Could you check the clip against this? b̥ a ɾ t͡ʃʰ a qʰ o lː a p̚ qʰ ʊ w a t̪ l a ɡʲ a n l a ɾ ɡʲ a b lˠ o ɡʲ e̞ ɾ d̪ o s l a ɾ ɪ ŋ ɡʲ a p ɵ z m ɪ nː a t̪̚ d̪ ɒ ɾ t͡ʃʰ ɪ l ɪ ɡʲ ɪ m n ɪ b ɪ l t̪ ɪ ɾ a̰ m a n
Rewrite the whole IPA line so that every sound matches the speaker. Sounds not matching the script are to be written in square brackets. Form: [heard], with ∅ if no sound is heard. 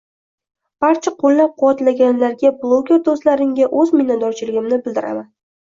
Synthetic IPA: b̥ a ɾ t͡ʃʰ a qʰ o lː a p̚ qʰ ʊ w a t̪ l a ɡʲ a n l a ɾ ɡʲ a b lˠ o ɡʲ e̞ ɾ d̪ o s l a ɾ ɪ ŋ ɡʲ a [ʔ] ɵ z m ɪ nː a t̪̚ d̪ ɒ ɾ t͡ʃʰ ɪ l ɪ ɡʲ ɪ m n ɪ b ɪ l [d̪] ɪ ɾ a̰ m a n